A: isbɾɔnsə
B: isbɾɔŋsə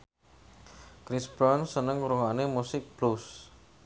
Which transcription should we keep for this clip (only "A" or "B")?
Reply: A